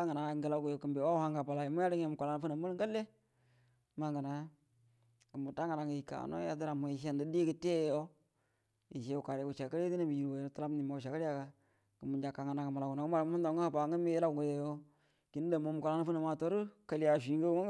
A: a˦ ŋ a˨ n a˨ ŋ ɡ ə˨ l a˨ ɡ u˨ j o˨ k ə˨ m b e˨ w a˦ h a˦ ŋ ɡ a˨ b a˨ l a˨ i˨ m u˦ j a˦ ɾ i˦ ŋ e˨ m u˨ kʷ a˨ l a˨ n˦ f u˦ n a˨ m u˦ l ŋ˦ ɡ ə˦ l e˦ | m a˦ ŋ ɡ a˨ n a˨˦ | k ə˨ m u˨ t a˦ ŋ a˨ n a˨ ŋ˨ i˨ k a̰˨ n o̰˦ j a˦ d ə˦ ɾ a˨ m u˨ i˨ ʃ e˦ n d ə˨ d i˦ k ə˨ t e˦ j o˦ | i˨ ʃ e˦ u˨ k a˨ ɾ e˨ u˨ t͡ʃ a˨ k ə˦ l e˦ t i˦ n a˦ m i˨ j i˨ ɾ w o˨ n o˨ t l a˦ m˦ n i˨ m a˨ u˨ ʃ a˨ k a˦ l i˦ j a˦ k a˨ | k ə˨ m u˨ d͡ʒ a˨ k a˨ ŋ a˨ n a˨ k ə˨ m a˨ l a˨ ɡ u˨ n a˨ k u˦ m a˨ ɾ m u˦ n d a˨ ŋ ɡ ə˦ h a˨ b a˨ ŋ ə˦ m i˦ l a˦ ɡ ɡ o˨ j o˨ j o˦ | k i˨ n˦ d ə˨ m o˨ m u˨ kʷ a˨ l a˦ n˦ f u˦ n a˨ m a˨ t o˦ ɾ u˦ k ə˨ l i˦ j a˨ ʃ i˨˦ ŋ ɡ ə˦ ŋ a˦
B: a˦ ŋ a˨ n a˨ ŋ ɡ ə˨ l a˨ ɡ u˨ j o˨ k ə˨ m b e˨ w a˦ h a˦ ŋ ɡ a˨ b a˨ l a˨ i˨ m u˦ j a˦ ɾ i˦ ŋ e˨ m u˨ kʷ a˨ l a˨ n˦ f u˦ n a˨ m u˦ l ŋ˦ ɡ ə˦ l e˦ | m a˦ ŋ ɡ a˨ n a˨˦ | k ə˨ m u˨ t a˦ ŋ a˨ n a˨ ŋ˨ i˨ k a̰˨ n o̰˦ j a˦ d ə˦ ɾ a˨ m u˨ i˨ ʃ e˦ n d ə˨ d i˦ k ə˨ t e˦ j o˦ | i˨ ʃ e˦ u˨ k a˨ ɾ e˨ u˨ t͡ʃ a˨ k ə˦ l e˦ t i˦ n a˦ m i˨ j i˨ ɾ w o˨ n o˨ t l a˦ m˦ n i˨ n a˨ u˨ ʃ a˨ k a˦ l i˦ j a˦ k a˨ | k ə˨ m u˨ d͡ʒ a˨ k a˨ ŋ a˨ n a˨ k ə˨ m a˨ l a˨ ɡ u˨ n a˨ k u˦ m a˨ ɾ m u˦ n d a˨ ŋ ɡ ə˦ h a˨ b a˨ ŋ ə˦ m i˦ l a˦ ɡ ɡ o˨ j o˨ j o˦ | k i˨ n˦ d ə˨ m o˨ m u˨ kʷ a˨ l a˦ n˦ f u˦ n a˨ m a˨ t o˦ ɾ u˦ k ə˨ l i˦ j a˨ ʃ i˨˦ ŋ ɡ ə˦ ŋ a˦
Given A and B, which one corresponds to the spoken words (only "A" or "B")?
A